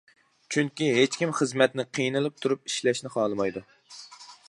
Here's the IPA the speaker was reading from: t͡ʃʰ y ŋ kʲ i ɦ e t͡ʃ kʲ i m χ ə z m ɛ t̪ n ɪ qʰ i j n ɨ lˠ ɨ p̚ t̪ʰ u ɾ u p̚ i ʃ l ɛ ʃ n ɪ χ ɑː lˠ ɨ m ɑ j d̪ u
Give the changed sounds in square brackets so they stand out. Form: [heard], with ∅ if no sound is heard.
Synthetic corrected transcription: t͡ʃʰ y ŋ kʲ i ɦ e t͡ʃ kʲ i m χ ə z m ɛ t̪ n ɪ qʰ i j n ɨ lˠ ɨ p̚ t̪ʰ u ɾ u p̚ i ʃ l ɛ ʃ n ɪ χ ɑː lˠ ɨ m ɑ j d̪ u